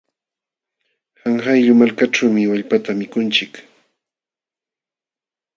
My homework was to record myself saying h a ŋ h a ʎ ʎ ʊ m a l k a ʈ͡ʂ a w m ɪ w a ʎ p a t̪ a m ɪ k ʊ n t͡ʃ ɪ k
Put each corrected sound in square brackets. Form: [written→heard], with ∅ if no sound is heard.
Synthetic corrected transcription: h a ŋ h a [ʎ→j] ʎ ʊ m a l k a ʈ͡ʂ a w m ɪ w a ʎ p a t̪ a m ɪ k ʊ n t͡ʃ ɪ k

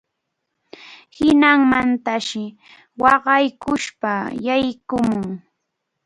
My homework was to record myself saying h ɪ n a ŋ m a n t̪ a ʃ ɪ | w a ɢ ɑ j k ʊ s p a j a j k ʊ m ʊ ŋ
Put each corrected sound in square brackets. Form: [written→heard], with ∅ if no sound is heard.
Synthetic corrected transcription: h ɪ n a ŋ m a n t̪ a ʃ ɪ | w [a→ɑ] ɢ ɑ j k ʊ [s→ʃ] p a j a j k ʊ m ʊ ŋ

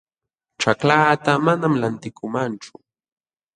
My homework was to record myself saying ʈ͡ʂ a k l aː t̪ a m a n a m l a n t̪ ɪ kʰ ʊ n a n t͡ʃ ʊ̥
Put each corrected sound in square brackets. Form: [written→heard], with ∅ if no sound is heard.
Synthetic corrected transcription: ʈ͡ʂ a k l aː t̪ a m a n a m l a n t̪ ɪ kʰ ʊ [n→m] a n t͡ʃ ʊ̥

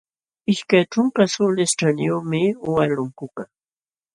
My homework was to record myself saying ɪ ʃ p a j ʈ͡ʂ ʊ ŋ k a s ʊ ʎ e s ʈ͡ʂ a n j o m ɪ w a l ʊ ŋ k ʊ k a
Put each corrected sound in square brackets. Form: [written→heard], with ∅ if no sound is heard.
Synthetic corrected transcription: ɪ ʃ [p→k] a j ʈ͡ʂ ʊ ŋ k a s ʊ [ʎ→l] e s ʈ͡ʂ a n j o m ɪ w a l ʊ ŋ k ʊ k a

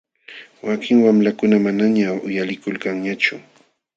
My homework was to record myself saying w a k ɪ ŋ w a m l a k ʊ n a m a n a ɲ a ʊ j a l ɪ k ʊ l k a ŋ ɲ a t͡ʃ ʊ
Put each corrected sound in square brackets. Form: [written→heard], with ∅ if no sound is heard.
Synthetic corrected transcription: w a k ɪ ŋ w a m l a k ʊ n a m a n a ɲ a ʊ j a l ɪ k ʊ l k a ŋ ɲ a t͡ʃ ʊ

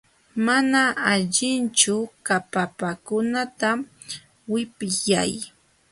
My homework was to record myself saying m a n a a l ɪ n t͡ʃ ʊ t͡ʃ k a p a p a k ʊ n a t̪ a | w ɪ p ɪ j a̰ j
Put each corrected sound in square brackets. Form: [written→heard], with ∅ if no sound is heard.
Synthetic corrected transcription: m a n a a [l→ʎ] ɪ n t͡ʃ ʊ [t͡ʃ→∅] k a p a p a k ʊ n a t̪ a | w ɪ p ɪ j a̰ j

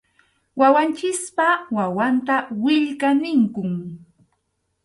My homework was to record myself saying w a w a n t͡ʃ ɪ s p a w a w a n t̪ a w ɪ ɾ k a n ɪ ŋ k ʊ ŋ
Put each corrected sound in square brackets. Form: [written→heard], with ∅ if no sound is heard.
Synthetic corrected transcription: w a w a n t͡ʃ ɪ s p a w a w a n t̪ a w ɪ [ɾ→ʎ] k a n ɪ ŋ k ʊ ŋ

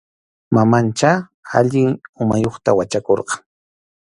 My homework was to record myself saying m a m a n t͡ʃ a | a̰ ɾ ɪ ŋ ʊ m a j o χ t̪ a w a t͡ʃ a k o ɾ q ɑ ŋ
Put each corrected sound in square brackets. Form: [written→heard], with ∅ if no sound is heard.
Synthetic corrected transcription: m a m a n t͡ʃ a | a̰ [ɾ→ʎ] ɪ ŋ ʊ m a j o χ t̪ a w a t͡ʃ a k o ɾ q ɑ ŋ

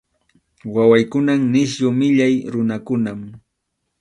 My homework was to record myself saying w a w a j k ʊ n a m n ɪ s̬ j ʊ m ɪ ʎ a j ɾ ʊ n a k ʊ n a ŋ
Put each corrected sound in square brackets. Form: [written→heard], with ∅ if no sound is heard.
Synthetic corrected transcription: w a w a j k ʊ n a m n ɪ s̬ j ʊ m ɪ ʎ a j ɾ ʊ n a k ʊ n a [ŋ→m]

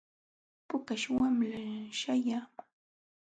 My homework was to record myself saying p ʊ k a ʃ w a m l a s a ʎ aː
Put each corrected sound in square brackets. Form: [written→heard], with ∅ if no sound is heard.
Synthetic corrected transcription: p ʊ k a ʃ w a m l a [s→ʃ] a [ʎ→j] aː

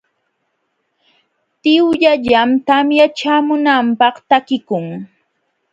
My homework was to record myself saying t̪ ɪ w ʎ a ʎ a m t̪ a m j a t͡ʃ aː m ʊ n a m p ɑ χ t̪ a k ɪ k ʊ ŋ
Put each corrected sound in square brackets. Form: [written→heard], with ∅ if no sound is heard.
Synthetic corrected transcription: t̪ ɪ w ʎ a ʎ a m t̪ a m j a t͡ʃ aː m ʊ n a m p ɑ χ t̪ a k ɪ k ʊ ŋ

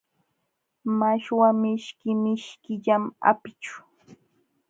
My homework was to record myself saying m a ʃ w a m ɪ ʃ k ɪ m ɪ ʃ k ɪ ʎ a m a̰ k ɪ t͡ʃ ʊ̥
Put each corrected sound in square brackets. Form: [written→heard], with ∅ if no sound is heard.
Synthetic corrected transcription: m a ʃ w a m ɪ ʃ k ɪ m ɪ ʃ k ɪ ʎ a m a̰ [k→p] ɪ t͡ʃ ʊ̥

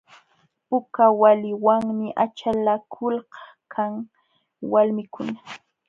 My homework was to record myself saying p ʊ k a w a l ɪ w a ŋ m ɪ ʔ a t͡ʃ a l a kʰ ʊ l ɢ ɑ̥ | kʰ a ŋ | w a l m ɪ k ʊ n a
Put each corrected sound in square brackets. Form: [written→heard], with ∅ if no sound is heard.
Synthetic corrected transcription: p ʊ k a w a l ɪ w a ŋ m ɪ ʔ a t͡ʃ a l a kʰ ʊ l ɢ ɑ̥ | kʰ a ŋ | w a l m ɪ k ʊ n a

